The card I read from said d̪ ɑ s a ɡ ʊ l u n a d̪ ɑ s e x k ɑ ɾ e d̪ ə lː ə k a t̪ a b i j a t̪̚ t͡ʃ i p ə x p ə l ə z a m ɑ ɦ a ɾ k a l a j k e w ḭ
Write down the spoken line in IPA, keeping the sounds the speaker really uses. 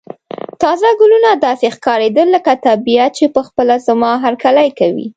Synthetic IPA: t̪ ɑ z a ɡ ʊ l u n a d̪ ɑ s e x k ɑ ɾ e d̪ ə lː ə k a t̪ a b i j a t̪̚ t͡ʃ e p ə x p ə l a z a m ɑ ɦ a ɾ k a l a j k a w ḭ

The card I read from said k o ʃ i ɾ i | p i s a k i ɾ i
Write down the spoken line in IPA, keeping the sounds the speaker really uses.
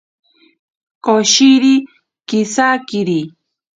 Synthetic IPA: k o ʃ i ɾ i | k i s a k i ɾ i

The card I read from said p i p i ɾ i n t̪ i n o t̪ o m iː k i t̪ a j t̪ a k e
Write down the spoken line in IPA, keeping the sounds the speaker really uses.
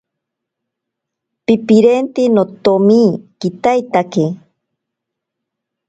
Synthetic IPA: p i p i ɾ e n t̪ i n o t̪ o m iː k i t̪ a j t̪ a k e

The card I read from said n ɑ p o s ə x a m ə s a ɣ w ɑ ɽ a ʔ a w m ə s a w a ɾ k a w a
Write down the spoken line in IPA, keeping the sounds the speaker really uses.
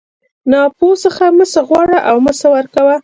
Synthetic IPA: n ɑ p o s ə x a m ə s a ɣ w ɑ ɽ a ʔ a w m ə s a w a ɾ k a w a

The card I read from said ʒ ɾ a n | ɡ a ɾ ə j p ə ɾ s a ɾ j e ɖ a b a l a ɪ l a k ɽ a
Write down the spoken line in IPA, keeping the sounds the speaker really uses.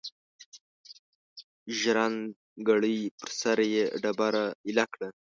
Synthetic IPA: ʒ ɾ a n | ɡ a ɽ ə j p ə ɾ s a ɾ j e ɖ a b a ɾ a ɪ l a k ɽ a

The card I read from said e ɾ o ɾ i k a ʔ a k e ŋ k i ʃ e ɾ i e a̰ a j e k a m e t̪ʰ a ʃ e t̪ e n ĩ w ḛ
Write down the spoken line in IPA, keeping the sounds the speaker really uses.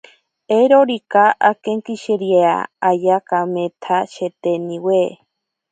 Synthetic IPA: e ɾ o ɾ i k a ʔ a k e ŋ k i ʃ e ɾ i e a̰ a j a k a m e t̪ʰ a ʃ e t̪ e n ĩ w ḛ

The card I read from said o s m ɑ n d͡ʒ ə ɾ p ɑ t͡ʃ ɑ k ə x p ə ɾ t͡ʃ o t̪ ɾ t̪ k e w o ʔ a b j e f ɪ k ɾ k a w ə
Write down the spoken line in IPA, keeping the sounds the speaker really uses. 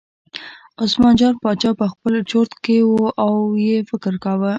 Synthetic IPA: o s m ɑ n d͡ʒ ɑ ɾ p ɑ t͡ʃ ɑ p ə x p ə l t͡ʃ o ɾ t̪ k e w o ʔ a w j e f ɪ k ɾ k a w ə

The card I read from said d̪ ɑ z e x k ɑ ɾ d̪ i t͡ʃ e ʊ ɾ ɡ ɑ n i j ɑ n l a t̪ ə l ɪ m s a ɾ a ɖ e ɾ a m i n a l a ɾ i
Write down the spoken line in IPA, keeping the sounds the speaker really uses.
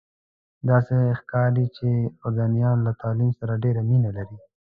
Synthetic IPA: d̪ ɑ s e x k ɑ ɾ d̪ i t͡ʃ e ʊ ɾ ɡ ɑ n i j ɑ n l a t̪ ɑ l i m s a ɾ a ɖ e ɾ a m i n a l a ɾ i

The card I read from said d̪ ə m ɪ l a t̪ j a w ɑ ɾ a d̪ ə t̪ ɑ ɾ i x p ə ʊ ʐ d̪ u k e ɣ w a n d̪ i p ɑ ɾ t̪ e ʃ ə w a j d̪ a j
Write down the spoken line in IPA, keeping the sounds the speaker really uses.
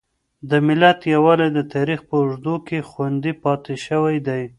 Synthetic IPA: d̪ ə m ɪ l a t̪ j a w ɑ l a d̪ ə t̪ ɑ ɾ i x p ə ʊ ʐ d̪ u k e x w a n d̪ i p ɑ t̪ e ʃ ə w a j d̪ a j

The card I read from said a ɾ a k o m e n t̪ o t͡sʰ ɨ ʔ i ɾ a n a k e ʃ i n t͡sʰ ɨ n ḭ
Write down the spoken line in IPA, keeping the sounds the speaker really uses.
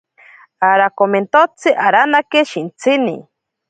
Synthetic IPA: a ɾ a k o m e n t̪ o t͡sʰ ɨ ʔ a ɾ a n a k e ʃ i n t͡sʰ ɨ n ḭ

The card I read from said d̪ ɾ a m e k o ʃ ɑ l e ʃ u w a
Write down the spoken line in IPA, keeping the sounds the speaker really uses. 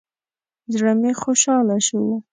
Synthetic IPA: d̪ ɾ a m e x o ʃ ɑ l a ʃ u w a

